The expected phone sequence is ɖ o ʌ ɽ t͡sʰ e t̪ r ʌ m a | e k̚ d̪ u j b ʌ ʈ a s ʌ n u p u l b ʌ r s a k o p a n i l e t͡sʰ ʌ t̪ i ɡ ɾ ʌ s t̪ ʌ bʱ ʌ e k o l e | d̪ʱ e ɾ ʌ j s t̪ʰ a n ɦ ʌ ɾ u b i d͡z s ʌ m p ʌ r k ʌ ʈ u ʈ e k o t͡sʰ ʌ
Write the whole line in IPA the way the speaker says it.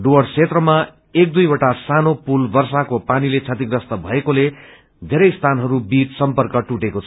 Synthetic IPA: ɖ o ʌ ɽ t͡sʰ e t̪ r ʌ m a | e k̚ d̪ u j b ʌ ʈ a s a n o p u l b ʌ r s a k o p a n i l e t͡sʰ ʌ t̪ i ɡ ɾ ʌ s t̪ ʌ bʱ ʌ e k o l e | d̪ʱ e ɾ ʌ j s t̪ʰ a n ɦ ʌ ɾ u b i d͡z s ʌ m p ʌ r k ʌ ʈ u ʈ e k o t͡sʰ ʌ